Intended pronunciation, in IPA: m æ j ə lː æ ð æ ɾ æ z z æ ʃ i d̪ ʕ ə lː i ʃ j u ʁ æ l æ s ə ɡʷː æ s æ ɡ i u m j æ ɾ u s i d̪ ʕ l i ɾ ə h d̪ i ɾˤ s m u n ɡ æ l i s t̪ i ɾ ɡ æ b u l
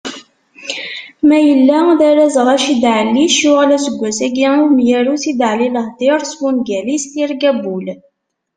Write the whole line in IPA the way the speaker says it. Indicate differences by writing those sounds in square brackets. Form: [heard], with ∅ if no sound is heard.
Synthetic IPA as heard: m æ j ə lː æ ð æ ɾ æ z [ʁ] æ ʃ i d̪ ʕ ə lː i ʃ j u ʁ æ l æ s ə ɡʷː æ s æ ɡ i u m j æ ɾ u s i d̪ ʕ l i [l] ə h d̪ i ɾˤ s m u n ɡ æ l i s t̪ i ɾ ɡ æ b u l